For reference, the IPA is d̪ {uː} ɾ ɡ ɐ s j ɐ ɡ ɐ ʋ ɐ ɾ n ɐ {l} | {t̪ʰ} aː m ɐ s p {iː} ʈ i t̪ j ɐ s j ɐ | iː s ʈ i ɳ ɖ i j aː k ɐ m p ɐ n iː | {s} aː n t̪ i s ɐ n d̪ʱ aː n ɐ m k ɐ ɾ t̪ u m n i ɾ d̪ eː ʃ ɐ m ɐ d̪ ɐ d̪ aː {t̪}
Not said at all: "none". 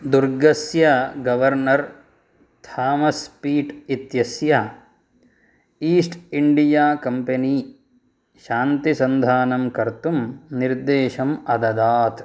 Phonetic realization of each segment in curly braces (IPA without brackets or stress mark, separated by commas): u, ɾ, t̪ʰ, iː, ʃ, t̪